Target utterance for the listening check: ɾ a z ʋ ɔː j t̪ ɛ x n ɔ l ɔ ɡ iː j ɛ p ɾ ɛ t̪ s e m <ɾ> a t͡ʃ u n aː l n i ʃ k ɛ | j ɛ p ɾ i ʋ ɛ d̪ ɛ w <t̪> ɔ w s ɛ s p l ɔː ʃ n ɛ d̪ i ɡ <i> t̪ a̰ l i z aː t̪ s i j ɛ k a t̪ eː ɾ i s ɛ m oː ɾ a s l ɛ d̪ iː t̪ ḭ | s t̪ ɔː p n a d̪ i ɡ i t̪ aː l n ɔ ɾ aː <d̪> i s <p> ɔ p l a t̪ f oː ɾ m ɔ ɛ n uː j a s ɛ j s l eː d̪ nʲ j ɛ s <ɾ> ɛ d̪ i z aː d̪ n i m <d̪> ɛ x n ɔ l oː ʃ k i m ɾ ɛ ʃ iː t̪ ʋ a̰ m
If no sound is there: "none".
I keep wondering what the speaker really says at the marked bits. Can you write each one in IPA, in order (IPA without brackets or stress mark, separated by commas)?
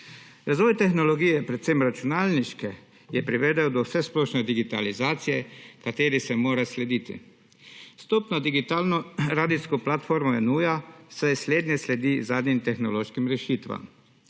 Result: ɾ, d̪, i, d̪, k, l, t̪